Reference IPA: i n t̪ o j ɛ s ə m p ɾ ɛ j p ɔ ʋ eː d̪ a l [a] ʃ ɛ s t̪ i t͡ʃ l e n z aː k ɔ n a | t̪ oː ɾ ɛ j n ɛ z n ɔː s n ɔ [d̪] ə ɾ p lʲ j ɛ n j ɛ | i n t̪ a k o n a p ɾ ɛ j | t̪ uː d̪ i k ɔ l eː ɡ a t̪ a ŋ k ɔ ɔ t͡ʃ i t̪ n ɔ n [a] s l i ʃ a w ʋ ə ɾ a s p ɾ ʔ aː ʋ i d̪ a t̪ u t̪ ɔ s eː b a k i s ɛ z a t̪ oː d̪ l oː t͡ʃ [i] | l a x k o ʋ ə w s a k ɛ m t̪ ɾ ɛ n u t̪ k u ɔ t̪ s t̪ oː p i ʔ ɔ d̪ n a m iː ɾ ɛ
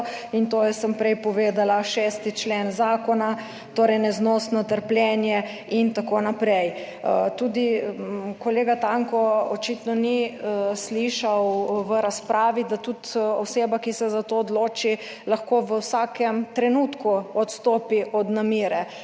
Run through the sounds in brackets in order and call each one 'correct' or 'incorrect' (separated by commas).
correct, incorrect, incorrect, correct